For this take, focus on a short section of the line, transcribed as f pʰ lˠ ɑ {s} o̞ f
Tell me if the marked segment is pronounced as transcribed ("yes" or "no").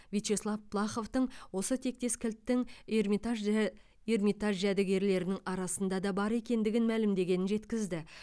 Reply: no